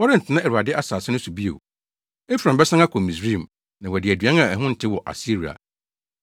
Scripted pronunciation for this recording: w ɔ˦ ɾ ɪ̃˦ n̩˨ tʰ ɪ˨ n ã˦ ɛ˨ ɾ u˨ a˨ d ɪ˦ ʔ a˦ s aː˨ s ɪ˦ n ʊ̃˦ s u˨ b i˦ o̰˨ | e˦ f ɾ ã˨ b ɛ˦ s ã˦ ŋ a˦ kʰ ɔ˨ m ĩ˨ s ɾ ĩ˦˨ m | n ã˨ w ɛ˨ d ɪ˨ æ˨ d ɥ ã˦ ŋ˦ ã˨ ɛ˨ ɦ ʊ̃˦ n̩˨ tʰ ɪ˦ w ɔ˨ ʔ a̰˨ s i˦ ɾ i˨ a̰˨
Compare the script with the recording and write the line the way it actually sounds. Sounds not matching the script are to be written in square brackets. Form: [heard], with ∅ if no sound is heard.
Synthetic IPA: w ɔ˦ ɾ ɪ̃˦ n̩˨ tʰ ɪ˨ n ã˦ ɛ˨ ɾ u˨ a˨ d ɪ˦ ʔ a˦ s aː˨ s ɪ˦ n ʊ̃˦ s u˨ b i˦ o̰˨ | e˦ f ɾ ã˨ b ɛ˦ s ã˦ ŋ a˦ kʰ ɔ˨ m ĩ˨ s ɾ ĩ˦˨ m | n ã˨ w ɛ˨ d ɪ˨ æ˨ d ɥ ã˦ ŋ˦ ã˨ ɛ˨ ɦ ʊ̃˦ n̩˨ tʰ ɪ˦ w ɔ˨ ʔ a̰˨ s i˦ ɾ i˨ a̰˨